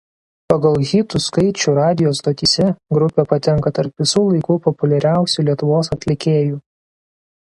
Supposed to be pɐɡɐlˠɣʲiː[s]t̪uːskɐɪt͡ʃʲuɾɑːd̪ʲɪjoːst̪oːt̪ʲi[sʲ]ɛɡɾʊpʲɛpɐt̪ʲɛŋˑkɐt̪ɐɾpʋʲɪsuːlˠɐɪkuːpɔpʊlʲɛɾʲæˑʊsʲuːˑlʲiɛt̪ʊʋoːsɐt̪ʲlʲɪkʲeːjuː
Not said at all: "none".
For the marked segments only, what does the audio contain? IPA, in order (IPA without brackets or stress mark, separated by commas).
none, sʲ